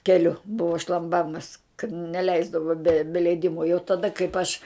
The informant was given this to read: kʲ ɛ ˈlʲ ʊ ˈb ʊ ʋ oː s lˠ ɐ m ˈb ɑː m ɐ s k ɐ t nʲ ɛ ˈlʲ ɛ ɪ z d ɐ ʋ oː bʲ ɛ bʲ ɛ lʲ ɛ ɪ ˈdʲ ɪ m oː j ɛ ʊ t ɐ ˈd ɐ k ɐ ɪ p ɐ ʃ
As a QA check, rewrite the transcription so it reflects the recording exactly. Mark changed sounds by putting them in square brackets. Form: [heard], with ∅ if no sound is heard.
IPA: kʲ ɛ ˈlʲ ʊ ˈb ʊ ʋ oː [ʃ] lˠ ɐ m ˈb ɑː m ɐ s k ɐ t nʲ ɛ ˈlʲ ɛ ɪ z d ɐ ʋ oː bʲ ɛ bʲ ɛ lʲ ɛ ɪ ˈdʲ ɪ m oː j ɛ ʊ t ɐ ˈd ɐ k ɐ ɪ p ɐ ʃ